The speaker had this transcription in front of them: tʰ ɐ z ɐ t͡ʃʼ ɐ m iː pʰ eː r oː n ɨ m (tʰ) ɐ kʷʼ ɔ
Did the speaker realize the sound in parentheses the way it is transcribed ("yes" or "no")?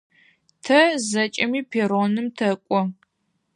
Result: yes